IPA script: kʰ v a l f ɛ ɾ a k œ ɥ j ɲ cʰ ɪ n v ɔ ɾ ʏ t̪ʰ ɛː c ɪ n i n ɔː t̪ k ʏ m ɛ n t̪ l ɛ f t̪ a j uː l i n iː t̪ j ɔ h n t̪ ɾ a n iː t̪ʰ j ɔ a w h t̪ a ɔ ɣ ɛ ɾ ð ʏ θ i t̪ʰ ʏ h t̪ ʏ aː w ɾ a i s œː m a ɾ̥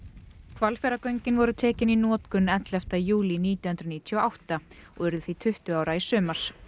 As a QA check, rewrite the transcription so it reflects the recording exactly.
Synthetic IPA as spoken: kʰ v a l f ɛ ɾ a k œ ɥ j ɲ c ɪ n v ɔ ɾ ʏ t̪ʰ ɛː c ɪ n i n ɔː t̪ k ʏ n ɛ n t̪ l ɛ f t̪ a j uː l i n iː t̪ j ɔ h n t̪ ɾ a n iː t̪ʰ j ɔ a w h t̪ a ɔ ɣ ɛ ɾ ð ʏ θ i t̪ʰ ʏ h t̪ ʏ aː w ɾ a i s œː m a ɾ̥